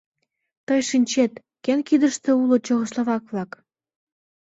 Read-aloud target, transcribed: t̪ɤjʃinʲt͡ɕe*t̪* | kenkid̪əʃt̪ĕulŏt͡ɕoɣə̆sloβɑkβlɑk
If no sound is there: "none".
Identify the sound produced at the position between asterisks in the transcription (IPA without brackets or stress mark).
t̪